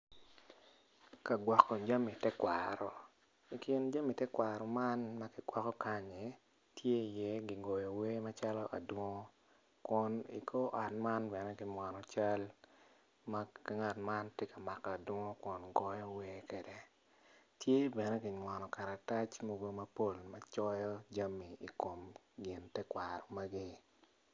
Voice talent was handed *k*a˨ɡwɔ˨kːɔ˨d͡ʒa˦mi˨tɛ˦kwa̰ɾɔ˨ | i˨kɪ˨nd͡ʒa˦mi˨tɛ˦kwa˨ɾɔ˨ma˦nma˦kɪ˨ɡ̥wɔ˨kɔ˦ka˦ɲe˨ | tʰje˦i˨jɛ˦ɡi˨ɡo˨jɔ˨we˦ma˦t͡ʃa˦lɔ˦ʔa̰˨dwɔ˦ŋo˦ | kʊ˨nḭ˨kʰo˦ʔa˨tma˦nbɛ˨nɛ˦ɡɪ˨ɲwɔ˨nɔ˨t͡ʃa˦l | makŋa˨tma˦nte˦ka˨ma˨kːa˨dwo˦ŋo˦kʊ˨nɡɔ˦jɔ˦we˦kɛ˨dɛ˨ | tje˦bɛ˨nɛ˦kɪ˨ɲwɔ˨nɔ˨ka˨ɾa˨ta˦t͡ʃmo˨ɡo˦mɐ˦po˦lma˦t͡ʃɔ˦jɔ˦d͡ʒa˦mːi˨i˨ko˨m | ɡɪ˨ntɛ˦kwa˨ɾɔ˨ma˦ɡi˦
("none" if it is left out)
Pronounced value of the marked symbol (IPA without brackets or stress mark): k